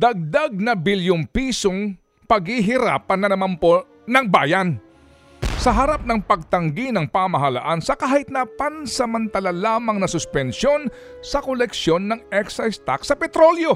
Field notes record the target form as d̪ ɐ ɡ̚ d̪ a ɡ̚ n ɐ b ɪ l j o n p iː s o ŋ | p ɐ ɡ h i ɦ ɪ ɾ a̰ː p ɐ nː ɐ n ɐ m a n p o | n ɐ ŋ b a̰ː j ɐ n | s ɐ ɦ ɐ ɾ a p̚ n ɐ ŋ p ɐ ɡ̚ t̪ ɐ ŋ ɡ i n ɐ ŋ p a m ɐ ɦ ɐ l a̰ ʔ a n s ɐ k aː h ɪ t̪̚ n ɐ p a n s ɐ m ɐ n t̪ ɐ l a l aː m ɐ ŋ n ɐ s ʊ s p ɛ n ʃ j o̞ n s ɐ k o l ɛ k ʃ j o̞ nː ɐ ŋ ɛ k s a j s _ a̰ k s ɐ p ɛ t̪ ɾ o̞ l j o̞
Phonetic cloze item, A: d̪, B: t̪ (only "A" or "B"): B